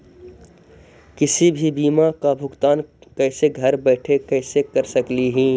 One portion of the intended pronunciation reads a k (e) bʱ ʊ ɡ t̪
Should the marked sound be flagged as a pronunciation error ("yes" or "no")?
yes